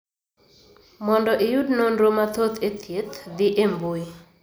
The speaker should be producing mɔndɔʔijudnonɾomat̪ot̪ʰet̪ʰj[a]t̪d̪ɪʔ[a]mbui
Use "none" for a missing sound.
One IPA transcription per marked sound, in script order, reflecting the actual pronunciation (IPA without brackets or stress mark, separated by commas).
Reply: e, e